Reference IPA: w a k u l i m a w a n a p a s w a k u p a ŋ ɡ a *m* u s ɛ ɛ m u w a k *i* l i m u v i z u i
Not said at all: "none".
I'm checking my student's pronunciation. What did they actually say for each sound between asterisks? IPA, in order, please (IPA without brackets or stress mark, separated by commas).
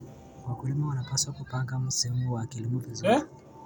m, i